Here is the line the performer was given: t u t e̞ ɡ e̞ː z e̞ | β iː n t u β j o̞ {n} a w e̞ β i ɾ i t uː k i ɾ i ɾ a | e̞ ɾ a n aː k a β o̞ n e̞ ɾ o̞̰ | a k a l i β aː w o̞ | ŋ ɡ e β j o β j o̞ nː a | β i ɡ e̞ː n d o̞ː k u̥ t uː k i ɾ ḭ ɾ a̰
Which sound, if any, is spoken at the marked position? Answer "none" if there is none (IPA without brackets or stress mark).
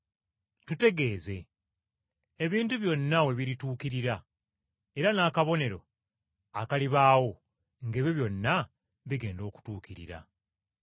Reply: nː